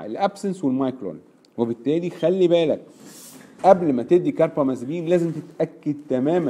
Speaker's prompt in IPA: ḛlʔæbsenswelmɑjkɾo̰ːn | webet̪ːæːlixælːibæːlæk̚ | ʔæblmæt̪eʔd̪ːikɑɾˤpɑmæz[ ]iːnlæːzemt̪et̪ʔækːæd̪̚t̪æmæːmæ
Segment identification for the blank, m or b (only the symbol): b